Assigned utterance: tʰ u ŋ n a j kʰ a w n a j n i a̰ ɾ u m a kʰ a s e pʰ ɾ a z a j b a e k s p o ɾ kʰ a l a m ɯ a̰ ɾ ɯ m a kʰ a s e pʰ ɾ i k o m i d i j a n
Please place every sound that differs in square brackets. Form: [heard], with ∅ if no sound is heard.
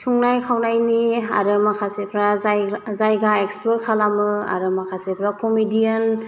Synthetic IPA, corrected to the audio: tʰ u ŋ n a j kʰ a w n a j n i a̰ ɾ [ɯ] m a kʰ a s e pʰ ɾ a z a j [ɡ] a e k s p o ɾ kʰ a l a m ɯ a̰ ɾ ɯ m a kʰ a s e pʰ ɾ [a] k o m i d i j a n